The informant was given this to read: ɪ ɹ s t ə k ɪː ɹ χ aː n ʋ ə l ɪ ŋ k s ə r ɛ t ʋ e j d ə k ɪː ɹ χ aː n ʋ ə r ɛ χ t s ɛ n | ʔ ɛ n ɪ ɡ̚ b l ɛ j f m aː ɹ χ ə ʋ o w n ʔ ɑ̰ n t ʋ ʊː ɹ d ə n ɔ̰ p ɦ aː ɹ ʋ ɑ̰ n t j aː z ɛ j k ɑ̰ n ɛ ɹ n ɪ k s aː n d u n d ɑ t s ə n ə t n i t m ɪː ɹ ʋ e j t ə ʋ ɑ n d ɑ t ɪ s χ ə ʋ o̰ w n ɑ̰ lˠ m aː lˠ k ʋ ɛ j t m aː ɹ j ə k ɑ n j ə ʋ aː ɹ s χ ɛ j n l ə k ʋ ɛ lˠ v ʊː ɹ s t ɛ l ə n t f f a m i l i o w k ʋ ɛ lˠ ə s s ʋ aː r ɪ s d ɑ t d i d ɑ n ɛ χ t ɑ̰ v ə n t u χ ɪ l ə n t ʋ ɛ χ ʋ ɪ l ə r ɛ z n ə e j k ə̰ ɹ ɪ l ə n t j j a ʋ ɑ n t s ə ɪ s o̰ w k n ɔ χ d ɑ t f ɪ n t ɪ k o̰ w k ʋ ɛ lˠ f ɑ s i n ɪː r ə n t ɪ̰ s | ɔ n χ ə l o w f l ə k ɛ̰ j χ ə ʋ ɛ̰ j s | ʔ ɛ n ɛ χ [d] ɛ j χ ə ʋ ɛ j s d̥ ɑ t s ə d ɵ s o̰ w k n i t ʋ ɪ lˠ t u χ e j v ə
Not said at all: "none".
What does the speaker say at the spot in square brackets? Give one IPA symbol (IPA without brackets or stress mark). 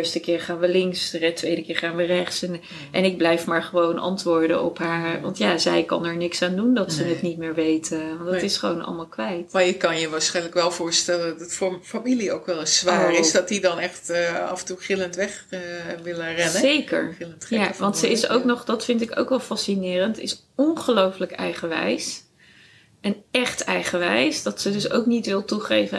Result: t